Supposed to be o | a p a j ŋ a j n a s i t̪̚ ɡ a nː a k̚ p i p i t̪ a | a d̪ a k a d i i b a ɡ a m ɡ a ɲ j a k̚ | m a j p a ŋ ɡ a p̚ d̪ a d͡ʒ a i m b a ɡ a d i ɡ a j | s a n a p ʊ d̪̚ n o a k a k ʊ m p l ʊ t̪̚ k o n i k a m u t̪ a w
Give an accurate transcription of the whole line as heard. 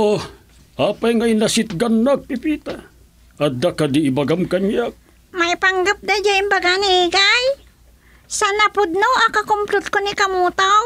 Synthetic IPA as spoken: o | a p a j ŋ a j n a s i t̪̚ ɡ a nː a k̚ p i p i t̪ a | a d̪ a k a d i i b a ɡ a m k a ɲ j a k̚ | m a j p a ŋ ɡ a p̚ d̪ a d͡ʒ a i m b a ɡ a n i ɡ a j | s a n a p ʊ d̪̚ n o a k a k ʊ m p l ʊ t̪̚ k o n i k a m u t̪ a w